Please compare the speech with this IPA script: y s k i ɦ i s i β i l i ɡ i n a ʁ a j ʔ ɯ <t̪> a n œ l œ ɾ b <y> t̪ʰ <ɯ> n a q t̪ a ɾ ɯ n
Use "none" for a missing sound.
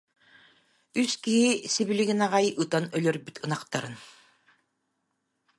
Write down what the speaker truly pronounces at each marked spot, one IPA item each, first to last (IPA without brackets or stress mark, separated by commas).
t̪, y, ɯ